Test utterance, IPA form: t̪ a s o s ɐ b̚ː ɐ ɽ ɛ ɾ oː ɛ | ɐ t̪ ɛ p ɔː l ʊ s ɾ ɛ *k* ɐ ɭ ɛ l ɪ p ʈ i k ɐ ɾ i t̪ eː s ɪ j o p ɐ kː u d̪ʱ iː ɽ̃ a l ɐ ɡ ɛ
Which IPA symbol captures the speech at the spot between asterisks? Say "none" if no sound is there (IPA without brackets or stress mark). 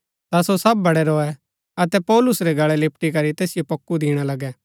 ɡ